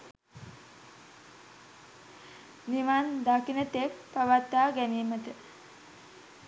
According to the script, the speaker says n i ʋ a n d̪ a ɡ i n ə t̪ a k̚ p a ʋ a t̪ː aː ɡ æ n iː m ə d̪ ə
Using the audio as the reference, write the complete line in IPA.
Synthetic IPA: n i ʋ a n d̪ a k i n ə t̪ e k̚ p a ʋ a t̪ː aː ɡ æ n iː m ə t̪ ə